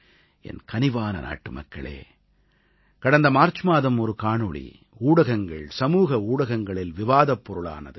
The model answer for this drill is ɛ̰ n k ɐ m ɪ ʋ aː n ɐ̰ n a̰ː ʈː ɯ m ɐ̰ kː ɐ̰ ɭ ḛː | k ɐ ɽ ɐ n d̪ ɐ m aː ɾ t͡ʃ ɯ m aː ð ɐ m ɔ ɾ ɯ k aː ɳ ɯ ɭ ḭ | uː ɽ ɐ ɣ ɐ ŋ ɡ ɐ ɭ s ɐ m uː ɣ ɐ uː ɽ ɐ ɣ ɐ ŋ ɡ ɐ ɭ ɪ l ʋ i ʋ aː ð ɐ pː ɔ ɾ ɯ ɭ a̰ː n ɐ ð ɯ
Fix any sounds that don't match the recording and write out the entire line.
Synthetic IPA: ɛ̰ n k ɐ n ɪ ʋ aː n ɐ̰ n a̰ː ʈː ɯ m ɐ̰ kː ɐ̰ ɭ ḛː | k ɐ ɽ ɐ n d̪ ɐ m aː ɾ t͡ʃ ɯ m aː ð ɐ m ɔ ɾ ɯ k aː ɳ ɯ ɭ ḭ | uː ɽ ɐ ɣ ɐ ŋ ɡ ɐ ɭ s ɐ m uː ɣ ɐ uː ɽ ɐ ɣ ɐ ŋ ɡ ɐ ɭ ɪ l ʋ ɪ ʋ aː ð ɐ pː ɔ ɾ ɯ ɭ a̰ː n ɐ ð ɯ